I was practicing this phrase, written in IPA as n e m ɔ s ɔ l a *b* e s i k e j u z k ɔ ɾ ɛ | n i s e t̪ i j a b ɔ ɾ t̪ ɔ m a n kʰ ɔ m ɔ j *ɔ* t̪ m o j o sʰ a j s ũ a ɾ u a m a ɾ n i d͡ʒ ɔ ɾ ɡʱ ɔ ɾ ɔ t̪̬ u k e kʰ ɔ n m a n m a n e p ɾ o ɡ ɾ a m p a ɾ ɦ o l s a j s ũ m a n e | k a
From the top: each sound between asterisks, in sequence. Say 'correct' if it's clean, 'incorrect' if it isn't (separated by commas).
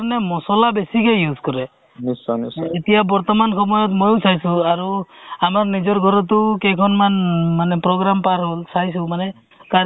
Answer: correct, correct